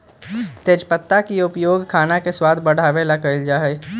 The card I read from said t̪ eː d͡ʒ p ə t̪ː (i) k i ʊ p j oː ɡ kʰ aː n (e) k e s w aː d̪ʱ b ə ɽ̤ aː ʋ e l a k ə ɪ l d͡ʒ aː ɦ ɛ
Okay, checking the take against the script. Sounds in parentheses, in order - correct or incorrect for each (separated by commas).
incorrect, incorrect